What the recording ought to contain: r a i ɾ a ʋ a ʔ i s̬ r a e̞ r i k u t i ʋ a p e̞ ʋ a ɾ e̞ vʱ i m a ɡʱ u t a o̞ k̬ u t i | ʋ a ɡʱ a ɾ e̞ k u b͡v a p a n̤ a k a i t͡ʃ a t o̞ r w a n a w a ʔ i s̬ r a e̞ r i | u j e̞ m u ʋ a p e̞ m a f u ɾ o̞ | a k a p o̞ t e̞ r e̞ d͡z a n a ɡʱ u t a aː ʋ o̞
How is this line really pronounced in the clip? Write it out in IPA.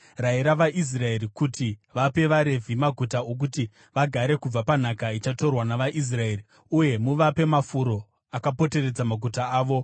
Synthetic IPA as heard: r a i ɾ a ʋ a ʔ i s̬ r a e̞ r i k u t i ʋ a p e̞ ʋ a ɾ e̞ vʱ i m a ɡʱ u t a o̞ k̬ u t i | ʋ a ɡʱ a ɾ e̞ k u b͡v a p a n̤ a k a i t͡ʃ a t o̞ r w a n a ʋ a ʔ i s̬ r a e̞ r i | u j e̞ m u ʋ a p e̞ m a f u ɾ o̞ | a k a p o̞ t e̞ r e̞ d͡z a m a ɡʱ u t a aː ʋ o̞